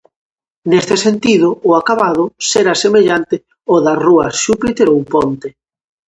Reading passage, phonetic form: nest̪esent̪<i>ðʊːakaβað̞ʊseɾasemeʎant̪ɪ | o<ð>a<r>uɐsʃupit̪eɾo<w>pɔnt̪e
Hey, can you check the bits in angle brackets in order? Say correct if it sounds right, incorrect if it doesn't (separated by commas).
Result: correct, correct, correct, correct